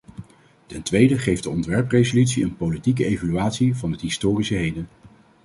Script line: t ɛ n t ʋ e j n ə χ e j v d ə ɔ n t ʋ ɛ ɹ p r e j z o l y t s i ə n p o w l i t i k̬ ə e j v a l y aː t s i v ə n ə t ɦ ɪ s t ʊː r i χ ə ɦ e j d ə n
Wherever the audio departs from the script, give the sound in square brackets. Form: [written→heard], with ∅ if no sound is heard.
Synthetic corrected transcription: t ɛ n t ʋ e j [n→d] ə χ e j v d ə ɔ n t ʋ ɛ ɹ p r e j z o l y t s i ə n p o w l i t i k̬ ə e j v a l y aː t s i v [ə→ɑ] n ə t ɦ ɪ s t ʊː r i [χ→s] ə ɦ e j d ə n